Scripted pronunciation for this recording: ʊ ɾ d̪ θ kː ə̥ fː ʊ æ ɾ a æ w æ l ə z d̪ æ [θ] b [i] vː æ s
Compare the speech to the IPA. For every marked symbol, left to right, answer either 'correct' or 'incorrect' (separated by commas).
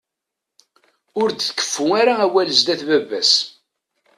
correct, incorrect